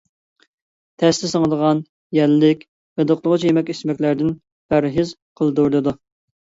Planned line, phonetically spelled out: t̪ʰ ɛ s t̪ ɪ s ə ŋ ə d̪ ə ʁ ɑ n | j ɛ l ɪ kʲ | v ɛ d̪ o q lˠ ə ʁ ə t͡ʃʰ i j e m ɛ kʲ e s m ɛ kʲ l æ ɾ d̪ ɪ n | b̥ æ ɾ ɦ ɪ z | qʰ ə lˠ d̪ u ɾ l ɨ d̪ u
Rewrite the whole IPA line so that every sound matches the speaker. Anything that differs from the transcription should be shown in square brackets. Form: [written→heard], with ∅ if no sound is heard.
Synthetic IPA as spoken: t̪ʰ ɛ s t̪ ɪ s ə ŋ ə d̪ ə ʁ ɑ n | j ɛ [l→lː] ɪ kʲ | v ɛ d̪ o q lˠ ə ʁ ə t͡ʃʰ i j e m ɛ kʲ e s m ɛ kʲ l æ ɾ d̪ ɪ n | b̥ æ ɾ ɦ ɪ z | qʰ ə lˠ d̪ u ɾ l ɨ d̪ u